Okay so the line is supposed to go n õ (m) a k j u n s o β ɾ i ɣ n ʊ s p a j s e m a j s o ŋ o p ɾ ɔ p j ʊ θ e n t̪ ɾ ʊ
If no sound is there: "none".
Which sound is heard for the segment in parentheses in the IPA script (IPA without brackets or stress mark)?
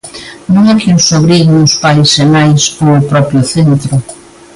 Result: ŋ